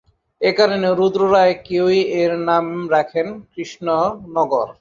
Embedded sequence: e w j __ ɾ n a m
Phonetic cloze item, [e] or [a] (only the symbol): e